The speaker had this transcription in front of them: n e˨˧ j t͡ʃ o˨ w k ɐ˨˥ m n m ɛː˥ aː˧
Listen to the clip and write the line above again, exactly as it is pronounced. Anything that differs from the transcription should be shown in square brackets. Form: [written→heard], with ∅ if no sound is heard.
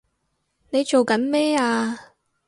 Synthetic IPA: n e˨˧ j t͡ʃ o˨ w k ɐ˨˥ [m→∅] n m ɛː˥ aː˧